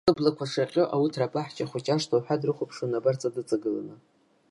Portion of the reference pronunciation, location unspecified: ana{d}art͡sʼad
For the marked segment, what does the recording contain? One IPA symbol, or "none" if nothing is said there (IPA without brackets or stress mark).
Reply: b